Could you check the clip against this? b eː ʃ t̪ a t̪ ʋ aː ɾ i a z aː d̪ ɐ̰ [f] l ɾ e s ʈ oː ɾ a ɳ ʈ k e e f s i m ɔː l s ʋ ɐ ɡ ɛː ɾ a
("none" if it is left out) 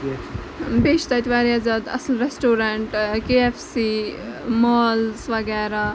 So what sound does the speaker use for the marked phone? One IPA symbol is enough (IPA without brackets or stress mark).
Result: s